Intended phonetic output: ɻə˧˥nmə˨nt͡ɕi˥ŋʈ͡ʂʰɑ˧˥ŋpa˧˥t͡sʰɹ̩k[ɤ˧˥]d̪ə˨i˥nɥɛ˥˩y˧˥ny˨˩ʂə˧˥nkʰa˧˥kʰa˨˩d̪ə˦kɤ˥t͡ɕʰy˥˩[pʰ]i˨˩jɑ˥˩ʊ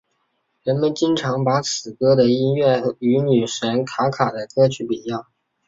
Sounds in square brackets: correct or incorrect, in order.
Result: incorrect, incorrect

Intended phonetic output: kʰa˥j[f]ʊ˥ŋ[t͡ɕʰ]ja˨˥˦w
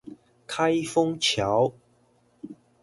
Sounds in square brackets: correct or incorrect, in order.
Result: correct, correct

